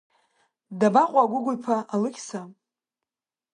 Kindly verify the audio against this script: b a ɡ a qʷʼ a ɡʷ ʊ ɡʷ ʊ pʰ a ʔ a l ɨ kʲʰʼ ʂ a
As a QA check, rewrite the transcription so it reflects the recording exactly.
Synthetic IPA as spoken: d a b a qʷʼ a ɡʷ ʊ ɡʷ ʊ pʰ a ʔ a l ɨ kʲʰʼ s a